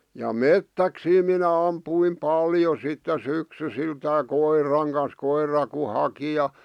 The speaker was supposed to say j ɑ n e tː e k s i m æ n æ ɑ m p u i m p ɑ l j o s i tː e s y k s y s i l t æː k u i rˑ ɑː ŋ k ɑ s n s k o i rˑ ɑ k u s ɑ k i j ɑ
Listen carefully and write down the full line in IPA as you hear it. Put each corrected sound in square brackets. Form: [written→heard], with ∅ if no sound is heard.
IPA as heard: j ɑ [n→m] e tː [e→æ] k s [i→iː] m [æ→i] n æ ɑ m p u i m p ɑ l j o s i tː e s y k s y s i l t æː k [u→o] i rˑ [ɑː→ɑ] ŋ k ɑ [s→∅] n s k o i rˑ ɑ k u [s→h] ɑ k i j ɑ